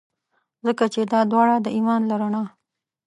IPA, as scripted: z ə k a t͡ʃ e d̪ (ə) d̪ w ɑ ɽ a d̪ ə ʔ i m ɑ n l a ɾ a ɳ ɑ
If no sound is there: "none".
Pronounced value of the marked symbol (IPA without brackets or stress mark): ɑ